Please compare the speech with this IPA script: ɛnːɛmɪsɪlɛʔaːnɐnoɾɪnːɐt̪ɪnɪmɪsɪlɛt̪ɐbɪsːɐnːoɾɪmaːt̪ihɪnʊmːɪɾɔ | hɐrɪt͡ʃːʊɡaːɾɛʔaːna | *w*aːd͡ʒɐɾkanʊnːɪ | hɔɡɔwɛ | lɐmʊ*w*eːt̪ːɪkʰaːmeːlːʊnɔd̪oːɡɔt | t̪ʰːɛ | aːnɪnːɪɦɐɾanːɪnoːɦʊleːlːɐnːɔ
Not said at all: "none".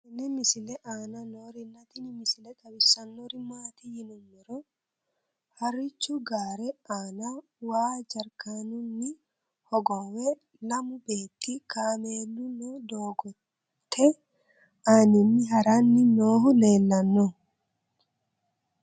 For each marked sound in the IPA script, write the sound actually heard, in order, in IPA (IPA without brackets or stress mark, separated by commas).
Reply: w, b